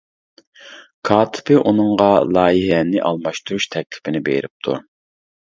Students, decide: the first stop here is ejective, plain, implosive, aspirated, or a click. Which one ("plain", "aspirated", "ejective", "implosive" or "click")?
aspirated